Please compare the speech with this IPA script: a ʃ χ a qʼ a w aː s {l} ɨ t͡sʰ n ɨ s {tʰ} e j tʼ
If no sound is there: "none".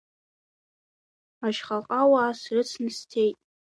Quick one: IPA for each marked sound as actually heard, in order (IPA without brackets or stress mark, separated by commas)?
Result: r, tʰ